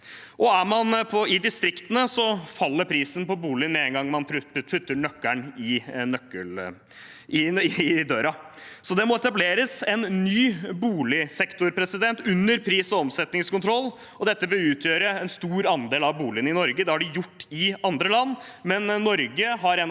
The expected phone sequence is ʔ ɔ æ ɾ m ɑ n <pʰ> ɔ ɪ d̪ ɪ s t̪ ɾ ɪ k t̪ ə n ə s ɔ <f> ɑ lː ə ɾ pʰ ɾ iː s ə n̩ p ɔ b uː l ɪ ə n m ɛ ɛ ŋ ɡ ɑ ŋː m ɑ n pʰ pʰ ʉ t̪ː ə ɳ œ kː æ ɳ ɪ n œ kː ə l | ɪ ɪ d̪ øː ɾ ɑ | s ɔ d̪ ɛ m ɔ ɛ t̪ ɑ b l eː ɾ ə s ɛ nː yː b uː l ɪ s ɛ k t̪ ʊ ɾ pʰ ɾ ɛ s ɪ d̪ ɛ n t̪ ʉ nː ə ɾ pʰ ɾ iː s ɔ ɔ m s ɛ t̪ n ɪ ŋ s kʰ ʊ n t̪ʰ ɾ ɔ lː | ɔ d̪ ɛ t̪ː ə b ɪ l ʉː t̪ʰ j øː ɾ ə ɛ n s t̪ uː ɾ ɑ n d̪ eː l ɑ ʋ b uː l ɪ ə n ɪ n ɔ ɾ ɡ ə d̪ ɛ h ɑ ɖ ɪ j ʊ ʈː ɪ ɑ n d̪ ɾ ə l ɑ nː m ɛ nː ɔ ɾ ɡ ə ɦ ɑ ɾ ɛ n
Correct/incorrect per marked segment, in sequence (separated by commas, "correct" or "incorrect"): correct, correct